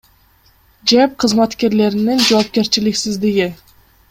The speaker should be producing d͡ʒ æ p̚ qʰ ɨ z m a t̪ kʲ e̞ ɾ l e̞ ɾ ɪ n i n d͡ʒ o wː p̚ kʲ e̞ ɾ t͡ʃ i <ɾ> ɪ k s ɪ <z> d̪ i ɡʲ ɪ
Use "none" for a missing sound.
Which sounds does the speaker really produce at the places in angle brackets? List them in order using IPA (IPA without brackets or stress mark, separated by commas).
l, z